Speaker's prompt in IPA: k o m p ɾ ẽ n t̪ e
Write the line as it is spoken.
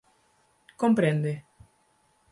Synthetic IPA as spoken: k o m p ɾ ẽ n d̪ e